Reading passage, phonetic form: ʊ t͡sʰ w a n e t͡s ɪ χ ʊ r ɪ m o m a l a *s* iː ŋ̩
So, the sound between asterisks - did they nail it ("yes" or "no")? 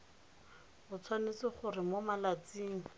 no